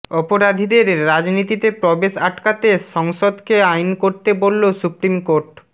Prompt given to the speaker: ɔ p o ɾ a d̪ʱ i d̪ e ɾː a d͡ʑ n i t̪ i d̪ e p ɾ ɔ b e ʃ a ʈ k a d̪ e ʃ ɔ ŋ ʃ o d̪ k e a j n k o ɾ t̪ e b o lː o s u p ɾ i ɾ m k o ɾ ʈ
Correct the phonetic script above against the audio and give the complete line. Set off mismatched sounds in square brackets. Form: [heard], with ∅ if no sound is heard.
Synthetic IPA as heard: ɔ p o ɾ a d̪ʱ i d̪ e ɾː a d͡ʑ n i t̪ i [t̪] e p ɾ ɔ b e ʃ a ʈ k a [t̪] e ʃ ɔ ŋ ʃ o d̪ k e a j n k o ɾ t̪ e b o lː o s u p ɾ i [∅] m k o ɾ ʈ